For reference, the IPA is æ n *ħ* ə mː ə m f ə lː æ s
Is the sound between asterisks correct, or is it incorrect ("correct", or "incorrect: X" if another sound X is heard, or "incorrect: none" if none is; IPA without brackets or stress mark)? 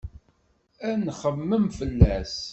incorrect: χ